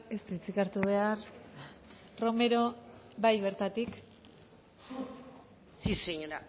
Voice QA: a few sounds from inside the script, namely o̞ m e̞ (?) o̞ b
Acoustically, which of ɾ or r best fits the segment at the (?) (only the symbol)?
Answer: ɾ